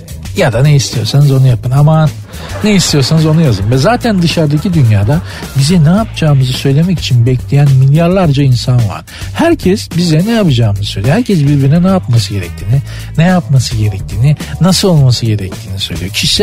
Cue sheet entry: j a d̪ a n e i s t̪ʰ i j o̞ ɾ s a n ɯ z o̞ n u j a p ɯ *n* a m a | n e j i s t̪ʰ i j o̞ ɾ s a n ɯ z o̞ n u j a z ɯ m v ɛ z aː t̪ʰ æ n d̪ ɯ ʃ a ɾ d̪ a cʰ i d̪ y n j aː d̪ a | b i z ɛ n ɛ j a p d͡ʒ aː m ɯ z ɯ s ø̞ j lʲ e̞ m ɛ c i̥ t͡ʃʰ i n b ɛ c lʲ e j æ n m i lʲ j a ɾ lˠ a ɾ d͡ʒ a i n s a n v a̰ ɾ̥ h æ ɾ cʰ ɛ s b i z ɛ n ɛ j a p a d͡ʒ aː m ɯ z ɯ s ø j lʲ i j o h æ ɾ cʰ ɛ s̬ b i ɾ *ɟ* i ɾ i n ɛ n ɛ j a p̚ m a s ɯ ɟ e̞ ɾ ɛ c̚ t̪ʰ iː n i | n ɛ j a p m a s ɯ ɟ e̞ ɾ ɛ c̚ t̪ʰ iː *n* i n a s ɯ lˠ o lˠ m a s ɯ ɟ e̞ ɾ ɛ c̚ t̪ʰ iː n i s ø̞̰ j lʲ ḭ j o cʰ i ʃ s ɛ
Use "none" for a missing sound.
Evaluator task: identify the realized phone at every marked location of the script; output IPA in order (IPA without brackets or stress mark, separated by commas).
n, b, n